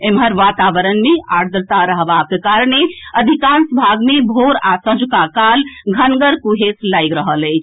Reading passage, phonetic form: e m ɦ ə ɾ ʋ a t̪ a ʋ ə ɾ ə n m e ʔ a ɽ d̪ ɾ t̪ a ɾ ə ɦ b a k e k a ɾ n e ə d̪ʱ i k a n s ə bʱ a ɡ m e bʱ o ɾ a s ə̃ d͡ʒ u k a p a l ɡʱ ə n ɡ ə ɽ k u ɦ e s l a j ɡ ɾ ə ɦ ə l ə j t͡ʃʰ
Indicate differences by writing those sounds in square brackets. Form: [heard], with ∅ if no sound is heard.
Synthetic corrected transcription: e m ɦ ə ɾ ʋ a t̪ a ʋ ə ɾ ə n m e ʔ a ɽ d̪ ɾ t̪ a ɾ ə ɦ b a k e k a ɾ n e ə d̪ʱ i k a n s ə bʱ a ɡ m e bʱ o ɾ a s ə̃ d͡ʒ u k a [k] a l ɡʱ ə n ɡ ə [ɾ] k u ɦ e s l a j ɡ ɾ ə ɦ ə l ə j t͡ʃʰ